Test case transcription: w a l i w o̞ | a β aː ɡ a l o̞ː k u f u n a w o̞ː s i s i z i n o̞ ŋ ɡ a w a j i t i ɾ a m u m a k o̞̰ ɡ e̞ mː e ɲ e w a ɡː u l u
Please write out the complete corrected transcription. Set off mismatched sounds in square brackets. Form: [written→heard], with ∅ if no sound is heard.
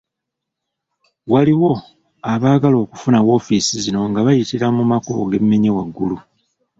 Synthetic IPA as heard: w a l i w o̞ | a β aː ɡ a l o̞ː k u f u n a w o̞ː [s→f] i s i z i n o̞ ŋ ɡ a [w→β] a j i t i ɾ a m u m a k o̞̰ ɡ e̞ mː e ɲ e w a ɡː u l u